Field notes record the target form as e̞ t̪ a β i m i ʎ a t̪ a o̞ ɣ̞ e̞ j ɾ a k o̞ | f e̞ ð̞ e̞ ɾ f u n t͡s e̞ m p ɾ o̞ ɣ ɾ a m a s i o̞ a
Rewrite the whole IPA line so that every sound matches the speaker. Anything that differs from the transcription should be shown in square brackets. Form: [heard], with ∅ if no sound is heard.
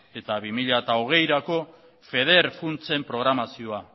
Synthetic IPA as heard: e̞ t̪ a β i m i ʎ a t̪ a o̞ ɣ̞ e̞ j ɾ a k o̞ | f e̞ ð̞ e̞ ɾ f u n t͡s e̞ m p ɾ o̞ ɣ ɾ a m a s i o̞ a